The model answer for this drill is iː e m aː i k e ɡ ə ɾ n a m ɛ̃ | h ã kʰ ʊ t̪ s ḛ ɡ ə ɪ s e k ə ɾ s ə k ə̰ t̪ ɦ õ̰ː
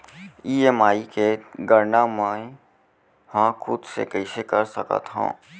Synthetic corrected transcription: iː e m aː i k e ɡ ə ɾ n a m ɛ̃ | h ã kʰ ʊ d̪ s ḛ k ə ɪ s e k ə ɾ s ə k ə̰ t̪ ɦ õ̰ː